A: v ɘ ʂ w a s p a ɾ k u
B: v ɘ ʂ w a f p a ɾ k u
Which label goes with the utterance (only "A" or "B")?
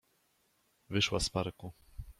A